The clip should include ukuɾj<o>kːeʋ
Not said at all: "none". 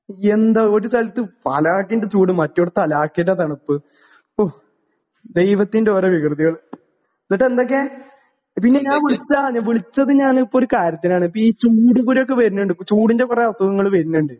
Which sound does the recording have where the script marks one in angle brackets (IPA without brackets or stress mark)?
o